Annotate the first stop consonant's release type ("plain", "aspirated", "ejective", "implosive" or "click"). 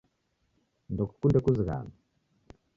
plain